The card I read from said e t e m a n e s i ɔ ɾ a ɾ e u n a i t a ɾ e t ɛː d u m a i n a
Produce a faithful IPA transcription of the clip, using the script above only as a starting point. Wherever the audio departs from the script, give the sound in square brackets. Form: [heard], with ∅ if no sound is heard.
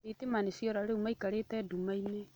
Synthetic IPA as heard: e t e m a n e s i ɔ ɾ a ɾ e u [m] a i [k] a ɾ e t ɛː d u m a i n [e]